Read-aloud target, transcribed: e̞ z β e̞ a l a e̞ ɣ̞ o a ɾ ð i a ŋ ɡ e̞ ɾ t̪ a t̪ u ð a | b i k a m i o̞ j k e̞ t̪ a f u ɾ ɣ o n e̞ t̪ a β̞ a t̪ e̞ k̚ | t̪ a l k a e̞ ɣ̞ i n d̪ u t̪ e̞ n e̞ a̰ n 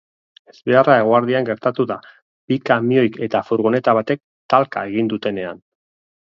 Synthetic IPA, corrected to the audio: e̞ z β e̞ a r a e̞ ɣ̞ o a ɾ ð i a ŋ ɡ e̞ ɾ t̪ a t̪ u ð a | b i k a m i o̞ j k e̞ t̪ a f u ɾ ɣ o n e̞ t̪ a β̞ a t̪ e̞ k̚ | t̪ a l k a e̞ ɣ̞ i n d̪ u t̪ e̞ n e̞ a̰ n